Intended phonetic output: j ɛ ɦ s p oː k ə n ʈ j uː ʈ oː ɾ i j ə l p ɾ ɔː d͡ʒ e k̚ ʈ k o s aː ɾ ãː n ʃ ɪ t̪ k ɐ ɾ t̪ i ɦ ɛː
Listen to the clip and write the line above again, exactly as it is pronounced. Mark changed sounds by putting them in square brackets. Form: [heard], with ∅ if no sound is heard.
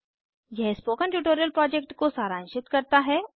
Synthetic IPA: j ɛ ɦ s p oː k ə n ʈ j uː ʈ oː ɾ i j ə l p ɾ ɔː d͡ʒ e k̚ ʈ k o s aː ɾ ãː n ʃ ɪ t̪ k ɐ ɾ t̪ [a] ɦ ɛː